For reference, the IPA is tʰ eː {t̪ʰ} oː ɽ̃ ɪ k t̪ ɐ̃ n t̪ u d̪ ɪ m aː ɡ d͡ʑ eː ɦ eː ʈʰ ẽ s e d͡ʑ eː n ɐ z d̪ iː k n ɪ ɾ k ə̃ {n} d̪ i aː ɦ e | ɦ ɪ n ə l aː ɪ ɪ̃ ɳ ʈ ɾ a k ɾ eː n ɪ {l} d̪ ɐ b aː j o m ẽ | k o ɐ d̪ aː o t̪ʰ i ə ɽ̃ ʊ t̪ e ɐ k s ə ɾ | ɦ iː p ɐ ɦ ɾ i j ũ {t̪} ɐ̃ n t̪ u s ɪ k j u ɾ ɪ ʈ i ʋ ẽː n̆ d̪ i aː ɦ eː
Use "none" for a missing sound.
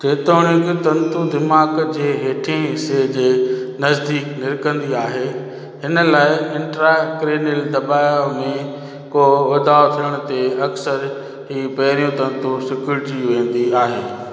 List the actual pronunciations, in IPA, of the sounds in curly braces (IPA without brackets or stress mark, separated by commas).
t̪, n, l, t̪